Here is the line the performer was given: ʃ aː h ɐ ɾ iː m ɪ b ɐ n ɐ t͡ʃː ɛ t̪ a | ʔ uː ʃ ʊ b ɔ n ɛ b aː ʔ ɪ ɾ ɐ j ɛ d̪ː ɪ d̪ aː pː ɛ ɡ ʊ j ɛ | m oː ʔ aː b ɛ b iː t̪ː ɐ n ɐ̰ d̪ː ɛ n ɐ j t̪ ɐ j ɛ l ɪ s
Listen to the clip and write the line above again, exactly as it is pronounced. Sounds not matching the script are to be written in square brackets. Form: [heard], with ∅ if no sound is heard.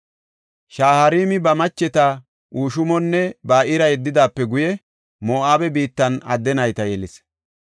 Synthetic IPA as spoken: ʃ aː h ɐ ɾ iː m ɪ b ɐ [m] ɐ t͡ʃː ɛ t̪ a | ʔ uː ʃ ʊ [m] ɔ [nː] ɛ b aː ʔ ɪ ɾ ɐ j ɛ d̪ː ɪ d̪ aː pː ɛ ɡ ʊ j ɛ | m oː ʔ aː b ɛ b iː t̪ː ɐ n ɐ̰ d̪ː ɛ n ɐ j t̪ ɐ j ɛ l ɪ s